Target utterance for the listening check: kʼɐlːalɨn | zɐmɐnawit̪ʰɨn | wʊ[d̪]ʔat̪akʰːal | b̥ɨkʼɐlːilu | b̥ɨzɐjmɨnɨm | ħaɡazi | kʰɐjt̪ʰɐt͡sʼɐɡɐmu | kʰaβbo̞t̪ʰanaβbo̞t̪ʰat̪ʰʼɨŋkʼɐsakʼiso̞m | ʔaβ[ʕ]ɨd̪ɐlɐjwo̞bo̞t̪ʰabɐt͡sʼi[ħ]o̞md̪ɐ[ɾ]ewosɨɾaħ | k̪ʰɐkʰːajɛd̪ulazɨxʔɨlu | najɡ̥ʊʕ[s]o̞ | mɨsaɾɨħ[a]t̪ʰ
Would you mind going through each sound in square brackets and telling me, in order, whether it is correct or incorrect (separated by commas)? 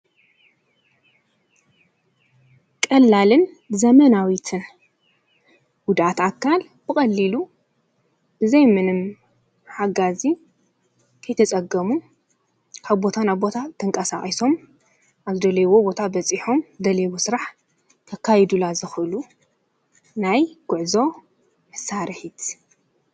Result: correct, incorrect, correct, incorrect, incorrect, incorrect